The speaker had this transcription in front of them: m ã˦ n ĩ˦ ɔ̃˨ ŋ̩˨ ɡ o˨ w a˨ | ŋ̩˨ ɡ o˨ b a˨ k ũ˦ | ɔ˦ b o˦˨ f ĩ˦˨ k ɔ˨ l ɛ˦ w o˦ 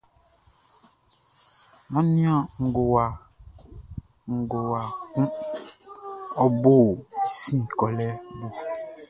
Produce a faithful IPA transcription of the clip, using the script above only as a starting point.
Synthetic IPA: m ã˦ n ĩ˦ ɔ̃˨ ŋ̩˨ ɡ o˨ w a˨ | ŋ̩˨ ɡ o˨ w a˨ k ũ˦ | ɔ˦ b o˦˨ s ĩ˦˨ k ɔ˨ l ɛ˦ b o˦